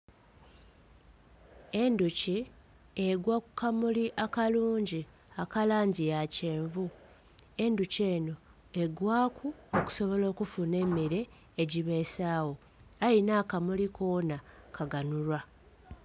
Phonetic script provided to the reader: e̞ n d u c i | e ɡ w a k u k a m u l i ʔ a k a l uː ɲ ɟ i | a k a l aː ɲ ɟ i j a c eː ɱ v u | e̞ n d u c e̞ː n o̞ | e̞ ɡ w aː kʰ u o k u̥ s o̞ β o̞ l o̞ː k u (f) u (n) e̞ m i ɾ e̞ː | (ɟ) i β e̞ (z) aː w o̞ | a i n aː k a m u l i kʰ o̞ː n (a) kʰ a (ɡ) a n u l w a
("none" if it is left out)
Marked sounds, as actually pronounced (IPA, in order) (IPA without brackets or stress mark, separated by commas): f, n, ɟ, s, a, ɡ